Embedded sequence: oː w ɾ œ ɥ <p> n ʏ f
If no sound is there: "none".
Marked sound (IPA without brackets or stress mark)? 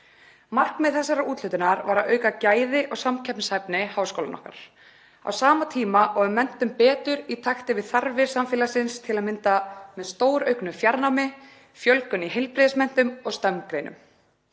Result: k